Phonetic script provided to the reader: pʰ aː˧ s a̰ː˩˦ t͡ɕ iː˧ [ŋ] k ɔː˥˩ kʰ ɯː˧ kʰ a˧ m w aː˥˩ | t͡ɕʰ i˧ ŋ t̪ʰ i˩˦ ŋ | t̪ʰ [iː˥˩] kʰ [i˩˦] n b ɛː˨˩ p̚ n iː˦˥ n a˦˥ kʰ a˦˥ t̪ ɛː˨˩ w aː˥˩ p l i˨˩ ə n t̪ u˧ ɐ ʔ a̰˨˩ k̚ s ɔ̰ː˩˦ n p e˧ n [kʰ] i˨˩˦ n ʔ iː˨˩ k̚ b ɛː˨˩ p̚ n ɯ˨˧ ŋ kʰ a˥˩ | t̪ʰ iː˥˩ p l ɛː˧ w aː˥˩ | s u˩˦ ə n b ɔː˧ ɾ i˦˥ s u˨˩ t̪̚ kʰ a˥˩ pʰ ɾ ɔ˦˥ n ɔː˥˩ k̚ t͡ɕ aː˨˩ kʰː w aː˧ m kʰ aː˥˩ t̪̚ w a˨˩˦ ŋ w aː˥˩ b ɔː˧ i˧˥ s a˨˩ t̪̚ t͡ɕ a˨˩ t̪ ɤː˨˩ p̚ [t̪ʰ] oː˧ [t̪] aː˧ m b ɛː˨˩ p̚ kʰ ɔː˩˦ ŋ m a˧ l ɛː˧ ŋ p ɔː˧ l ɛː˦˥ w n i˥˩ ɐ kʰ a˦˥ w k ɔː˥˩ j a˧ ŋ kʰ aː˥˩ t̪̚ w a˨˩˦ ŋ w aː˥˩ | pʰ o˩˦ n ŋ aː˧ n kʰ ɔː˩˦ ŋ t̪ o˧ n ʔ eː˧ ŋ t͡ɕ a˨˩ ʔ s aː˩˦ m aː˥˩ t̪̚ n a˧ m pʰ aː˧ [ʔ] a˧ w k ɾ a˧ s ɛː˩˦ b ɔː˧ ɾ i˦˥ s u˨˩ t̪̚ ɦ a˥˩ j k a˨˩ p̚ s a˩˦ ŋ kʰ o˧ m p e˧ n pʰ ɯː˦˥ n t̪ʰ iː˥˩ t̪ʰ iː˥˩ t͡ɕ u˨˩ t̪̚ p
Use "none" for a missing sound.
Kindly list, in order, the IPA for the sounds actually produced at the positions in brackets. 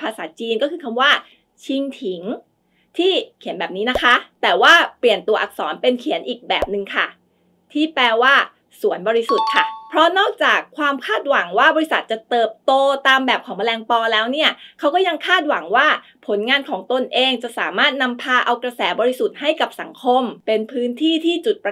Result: n, iː˥˩, i˩˦, kʰ, t̪, t̪, ʔ

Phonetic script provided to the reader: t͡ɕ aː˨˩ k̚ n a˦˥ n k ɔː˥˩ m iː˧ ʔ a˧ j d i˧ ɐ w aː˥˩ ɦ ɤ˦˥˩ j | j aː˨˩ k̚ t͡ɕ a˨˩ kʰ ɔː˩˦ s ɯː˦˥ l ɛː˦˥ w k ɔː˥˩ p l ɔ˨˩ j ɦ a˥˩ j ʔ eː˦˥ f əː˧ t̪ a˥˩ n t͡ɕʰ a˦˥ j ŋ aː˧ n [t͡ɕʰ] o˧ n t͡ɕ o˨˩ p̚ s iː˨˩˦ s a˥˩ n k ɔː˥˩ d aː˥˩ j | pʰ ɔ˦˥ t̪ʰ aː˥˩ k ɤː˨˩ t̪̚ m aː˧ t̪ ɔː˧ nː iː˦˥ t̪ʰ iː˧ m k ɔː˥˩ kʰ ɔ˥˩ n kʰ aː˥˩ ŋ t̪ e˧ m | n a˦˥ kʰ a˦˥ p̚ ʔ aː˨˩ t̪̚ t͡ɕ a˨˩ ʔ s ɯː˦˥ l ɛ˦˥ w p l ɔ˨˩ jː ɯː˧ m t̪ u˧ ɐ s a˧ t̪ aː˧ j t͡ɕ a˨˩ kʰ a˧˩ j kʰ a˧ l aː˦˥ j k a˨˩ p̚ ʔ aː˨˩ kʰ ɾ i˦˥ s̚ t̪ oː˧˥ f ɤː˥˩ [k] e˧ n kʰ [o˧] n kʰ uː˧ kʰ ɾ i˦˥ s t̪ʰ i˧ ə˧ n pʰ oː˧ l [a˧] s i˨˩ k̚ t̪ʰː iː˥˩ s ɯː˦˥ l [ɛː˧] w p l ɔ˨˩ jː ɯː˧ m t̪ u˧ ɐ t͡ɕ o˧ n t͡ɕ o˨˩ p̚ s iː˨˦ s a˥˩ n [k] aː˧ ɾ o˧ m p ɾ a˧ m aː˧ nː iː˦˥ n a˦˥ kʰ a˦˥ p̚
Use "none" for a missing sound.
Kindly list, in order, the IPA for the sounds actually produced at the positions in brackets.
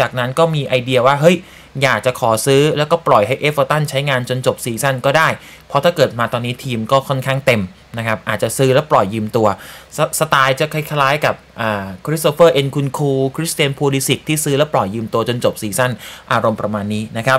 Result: t͡ɕ, ʔ, u˧, i˧, ɛː˦˥, ʔ

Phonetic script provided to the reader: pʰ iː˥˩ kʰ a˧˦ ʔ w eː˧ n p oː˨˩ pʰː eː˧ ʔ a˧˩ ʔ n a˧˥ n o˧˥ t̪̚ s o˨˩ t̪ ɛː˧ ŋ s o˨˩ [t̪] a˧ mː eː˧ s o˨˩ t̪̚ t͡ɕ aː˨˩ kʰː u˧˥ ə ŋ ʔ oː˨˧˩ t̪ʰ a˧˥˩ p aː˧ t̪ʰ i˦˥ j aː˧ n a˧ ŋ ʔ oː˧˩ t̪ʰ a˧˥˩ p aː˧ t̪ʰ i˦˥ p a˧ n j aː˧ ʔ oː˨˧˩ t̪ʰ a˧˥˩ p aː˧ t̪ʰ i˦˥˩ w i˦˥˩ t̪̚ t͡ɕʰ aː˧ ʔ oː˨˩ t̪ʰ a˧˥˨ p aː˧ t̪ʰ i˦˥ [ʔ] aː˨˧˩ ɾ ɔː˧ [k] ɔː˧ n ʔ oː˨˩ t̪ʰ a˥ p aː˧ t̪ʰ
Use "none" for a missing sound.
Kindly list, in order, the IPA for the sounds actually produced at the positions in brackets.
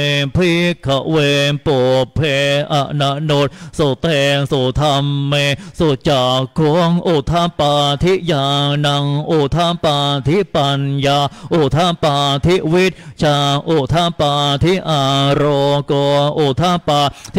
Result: t̪ʰ, ʔ, k

